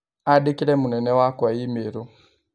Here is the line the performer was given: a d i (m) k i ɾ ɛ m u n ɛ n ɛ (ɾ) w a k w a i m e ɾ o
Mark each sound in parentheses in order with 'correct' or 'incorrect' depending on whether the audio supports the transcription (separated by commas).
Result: incorrect, incorrect